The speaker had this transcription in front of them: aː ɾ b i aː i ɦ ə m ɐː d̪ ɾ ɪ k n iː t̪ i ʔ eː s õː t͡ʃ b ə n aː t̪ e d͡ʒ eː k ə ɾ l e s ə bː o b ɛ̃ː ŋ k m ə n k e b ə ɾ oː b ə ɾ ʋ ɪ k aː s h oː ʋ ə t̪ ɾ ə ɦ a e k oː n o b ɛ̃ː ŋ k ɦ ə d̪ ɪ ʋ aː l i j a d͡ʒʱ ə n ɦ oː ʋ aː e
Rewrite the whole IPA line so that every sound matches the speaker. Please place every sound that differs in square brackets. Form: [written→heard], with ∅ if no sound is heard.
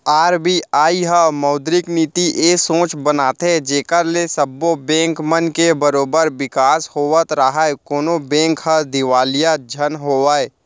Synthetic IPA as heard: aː ɾ b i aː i ɦ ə m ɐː d̪ ɾ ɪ k n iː t̪ i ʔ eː s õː t͡ʃ b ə n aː t̪ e d͡ʒ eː k ə ɾ l e s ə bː o b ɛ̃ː ŋ k m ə n k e b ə ɾ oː b ə ɾ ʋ ɪ k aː s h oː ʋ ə t̪ ɾ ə ɦ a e k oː n o b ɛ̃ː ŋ k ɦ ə d̪ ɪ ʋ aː l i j a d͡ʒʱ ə n ɦ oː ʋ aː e

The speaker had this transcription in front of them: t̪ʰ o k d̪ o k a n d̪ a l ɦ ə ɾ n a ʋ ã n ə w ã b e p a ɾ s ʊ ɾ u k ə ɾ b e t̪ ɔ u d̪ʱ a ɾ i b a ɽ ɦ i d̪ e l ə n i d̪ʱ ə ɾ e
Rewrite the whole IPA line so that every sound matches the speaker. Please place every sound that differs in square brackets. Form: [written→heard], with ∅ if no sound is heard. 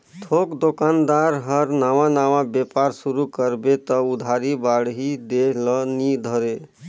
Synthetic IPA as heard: t̪ʰ o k d̪ o k a n d̪ a [l→ɾ] ɦ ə ɾ n a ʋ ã n [ə→a] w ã b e p a ɾ s [ʊ→u] ɾ u k ə ɾ b e t̪ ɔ u d̪ʱ a ɾ i b a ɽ ɦ i d̪ e l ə n i d̪ʱ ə ɾ e

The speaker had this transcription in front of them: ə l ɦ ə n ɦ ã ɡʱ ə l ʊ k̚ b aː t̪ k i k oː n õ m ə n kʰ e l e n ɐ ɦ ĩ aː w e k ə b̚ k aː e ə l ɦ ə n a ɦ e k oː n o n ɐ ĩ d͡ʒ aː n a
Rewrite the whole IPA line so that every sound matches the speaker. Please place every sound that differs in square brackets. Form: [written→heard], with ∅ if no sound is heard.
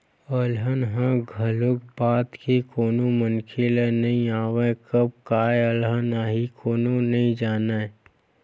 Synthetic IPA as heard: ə l ɦ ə n ɦ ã ɡʱ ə l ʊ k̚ b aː t̪ k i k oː n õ m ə n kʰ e l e n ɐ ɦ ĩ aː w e k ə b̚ k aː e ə l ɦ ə n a ɦ [e→i] k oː n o n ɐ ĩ d͡ʒ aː n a

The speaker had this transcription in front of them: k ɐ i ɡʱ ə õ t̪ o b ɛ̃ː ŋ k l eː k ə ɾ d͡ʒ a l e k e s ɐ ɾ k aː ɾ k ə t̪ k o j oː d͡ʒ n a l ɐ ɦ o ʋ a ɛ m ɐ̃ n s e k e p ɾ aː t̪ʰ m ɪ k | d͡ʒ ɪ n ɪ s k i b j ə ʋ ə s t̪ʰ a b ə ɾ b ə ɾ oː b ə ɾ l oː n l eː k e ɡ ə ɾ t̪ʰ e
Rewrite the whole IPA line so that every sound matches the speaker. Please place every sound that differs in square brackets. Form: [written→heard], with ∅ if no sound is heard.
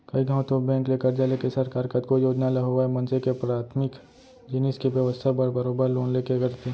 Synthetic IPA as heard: k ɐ i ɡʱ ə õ t̪ o b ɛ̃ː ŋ k l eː k ə ɾ d͡ʒ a l e k e s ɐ ɾ k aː ɾ k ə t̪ k o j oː d͡ʒ n a l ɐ ɦ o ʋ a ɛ m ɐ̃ n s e k e p ɾ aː t̪ʰ m ɪ k | d͡ʒ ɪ n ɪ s k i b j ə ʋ ə s t̪ʰ a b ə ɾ b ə ɾ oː b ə ɾ l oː n l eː k e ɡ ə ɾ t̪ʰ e

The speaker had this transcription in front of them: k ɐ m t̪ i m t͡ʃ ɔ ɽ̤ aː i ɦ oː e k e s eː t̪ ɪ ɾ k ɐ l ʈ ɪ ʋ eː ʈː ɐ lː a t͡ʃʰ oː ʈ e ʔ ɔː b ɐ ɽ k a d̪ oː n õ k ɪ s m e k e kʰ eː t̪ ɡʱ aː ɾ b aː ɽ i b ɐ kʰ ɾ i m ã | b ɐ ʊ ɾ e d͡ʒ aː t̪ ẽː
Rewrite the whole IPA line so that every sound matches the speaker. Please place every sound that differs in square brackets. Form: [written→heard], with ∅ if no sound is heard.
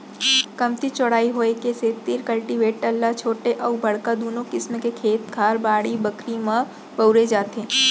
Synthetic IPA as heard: k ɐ m t̪ i [m→∅] t͡ʃ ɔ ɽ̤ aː i ɦ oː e k e s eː t̪ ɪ ɾ k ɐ l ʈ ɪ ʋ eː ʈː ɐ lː a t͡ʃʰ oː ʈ e ʔ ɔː b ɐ ɽ k a d̪ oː n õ k ɪ s m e k e kʰ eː t̪ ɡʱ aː ɾ b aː ɽ i b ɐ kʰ ɾ i m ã | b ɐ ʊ ɾ e d͡ʒ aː t̪ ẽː

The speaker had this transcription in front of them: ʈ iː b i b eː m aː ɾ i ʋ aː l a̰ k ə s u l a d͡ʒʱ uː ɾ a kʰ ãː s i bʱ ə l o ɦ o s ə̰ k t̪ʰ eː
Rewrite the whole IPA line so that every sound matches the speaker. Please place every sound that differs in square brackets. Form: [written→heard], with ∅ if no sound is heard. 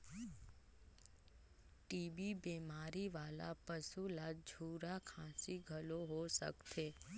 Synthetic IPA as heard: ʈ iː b i b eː m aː ɾ i ʋ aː l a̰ [k→p] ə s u l a d͡ʒʱ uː ɾ a kʰ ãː s i [bʱ→ɡʱ] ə l o ɦ o s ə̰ k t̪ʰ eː

